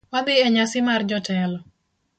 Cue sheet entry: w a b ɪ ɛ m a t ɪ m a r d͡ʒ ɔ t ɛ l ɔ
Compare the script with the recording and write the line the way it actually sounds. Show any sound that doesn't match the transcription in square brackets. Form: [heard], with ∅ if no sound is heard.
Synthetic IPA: w a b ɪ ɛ [ɲ] a [s] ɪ m a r d͡ʒ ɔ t ɛ l ɔ